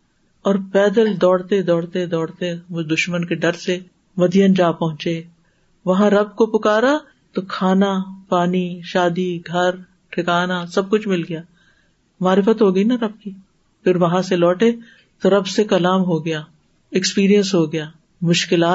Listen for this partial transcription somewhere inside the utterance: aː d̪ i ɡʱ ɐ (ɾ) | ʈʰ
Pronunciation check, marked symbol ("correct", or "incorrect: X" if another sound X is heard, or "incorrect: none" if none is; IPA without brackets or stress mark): correct